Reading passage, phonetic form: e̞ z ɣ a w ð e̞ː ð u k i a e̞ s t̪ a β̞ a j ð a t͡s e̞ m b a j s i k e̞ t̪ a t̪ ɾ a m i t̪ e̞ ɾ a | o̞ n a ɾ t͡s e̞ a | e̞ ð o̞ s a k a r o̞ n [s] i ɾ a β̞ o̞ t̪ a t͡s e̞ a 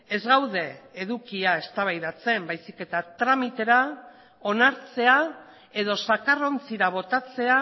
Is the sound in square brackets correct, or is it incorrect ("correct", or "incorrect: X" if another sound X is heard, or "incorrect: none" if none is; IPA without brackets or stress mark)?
incorrect: t͡s